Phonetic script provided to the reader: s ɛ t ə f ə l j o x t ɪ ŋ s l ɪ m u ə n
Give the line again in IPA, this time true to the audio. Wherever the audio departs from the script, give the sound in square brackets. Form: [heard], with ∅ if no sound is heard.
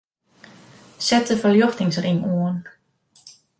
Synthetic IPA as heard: s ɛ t ə f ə l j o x t ɪ ŋ s [r] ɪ [ŋ] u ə n